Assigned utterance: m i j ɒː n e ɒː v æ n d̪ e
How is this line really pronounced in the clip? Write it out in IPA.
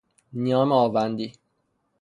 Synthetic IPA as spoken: n i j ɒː m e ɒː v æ n d̪ i